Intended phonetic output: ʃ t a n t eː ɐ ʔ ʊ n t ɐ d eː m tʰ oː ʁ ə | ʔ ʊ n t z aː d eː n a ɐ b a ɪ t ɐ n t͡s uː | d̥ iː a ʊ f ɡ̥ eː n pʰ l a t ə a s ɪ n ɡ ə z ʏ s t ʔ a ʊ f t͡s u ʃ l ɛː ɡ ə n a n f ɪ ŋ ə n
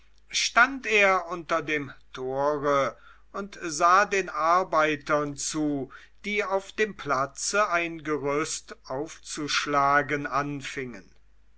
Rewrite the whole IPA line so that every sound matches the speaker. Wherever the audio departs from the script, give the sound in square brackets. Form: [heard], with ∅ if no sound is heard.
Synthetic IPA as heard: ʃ t a n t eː ɐ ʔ ʊ n t ɐ d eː m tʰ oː ʁ ə | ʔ ʊ n t z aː d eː n a ɐ b a ɪ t ɐ n t͡s uː | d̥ iː a ʊ f [d̥] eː [m] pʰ l a [t͡s] ə a [∅] ɪ n ɡ ə [ʁ] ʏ s t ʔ a ʊ f t͡s u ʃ l [aː] ɡ ə n a n f ɪ ŋ ə n